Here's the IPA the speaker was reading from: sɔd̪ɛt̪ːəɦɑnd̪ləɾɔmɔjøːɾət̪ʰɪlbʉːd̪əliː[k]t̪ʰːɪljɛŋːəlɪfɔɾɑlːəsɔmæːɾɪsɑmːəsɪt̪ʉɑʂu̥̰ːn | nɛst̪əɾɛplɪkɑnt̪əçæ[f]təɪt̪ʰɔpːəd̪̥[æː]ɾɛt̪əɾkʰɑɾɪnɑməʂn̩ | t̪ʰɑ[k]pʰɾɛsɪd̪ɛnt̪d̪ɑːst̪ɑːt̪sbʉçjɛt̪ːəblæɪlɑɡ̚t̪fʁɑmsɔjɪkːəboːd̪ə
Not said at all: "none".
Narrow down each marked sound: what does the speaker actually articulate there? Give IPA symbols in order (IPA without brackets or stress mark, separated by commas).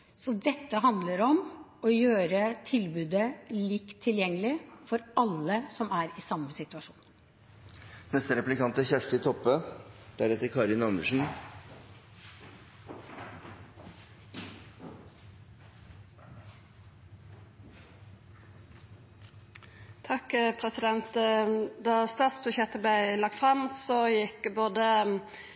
k, ʂ, æ, k